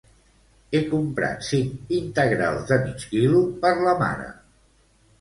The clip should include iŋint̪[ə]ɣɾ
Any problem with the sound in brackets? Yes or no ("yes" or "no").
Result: no